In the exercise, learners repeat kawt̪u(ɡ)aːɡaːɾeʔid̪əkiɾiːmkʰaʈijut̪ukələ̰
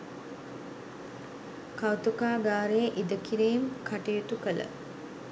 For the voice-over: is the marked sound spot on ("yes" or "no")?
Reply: no